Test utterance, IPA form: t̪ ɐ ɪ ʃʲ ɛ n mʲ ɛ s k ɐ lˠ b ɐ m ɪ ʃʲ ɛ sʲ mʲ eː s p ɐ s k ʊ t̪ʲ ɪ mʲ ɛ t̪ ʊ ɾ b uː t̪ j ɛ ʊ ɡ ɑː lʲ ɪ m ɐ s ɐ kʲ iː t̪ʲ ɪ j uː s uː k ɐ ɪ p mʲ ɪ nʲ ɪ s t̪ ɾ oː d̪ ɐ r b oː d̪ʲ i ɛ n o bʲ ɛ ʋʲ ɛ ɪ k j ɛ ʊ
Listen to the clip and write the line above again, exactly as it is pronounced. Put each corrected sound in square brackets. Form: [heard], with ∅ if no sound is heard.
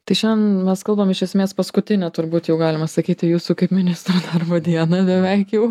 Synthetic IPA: t̪ ɐ ɪ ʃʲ ɛ n mʲ ɛ s k ɐ lˠ b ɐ m ɪ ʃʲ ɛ sʲ mʲ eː s p ɐ s k ʊ t̪ʲ ɪ [nʲ] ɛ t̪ ʊ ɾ b uː t̪ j ɛ ʊ ɡ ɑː lʲ ɪ m ɐ s ɐ kʲ iː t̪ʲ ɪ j uː s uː k ɐ ɪ p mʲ ɪ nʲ ɪ s t̪ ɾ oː d̪ ɐ r b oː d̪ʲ i ɛ n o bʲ ɛ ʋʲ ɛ ɪ k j ɛ ʊ